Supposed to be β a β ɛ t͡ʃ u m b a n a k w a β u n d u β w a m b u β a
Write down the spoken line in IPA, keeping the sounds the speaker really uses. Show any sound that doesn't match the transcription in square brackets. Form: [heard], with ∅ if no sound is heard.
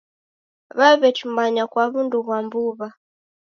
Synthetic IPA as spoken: β a β ɛ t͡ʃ u m b a [ɲ] a k w a β u n d u β w a m b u β a